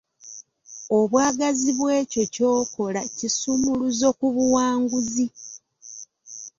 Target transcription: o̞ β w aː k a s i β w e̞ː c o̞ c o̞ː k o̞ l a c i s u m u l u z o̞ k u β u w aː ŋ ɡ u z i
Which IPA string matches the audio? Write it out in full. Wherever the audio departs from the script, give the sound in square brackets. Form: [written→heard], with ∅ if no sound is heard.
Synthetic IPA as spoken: o̞ β w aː [k→ɡ] a [s→z] i β w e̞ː c o̞ c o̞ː k o̞ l a c i s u m u l u z o̞ k u β u w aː ŋ ɡ u z i